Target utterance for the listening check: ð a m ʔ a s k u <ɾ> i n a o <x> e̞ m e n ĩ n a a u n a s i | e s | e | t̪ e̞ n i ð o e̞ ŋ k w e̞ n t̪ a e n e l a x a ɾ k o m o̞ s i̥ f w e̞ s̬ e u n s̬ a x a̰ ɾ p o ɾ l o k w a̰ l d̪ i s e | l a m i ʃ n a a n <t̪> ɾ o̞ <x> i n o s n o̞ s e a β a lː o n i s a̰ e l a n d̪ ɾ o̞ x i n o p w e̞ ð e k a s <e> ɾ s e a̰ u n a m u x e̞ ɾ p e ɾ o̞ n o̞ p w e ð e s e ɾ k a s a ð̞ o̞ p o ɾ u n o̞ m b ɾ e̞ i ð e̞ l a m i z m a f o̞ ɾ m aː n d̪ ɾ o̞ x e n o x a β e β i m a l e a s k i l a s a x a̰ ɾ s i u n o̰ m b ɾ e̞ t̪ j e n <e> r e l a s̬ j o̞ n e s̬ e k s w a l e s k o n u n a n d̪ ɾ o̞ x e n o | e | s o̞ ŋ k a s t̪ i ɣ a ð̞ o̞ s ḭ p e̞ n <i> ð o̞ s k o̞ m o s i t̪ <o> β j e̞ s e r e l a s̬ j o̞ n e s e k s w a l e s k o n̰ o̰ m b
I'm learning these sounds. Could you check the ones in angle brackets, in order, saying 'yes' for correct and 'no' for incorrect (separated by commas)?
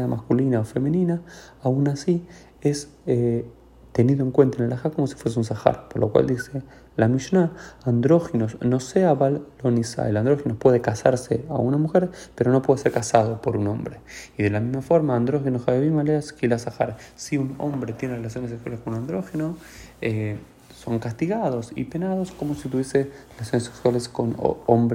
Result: no, no, no, yes, no, yes, no, no